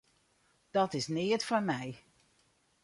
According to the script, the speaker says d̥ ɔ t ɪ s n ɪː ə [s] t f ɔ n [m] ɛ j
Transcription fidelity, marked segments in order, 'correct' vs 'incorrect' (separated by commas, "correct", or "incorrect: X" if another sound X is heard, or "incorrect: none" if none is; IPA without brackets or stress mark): incorrect: none, correct